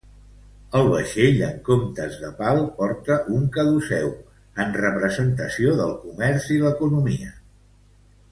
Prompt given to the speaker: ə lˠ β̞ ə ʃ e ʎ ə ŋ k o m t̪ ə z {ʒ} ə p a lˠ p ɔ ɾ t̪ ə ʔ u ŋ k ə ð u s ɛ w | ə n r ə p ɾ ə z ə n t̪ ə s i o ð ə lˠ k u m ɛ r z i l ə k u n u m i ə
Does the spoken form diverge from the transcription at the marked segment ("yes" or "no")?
yes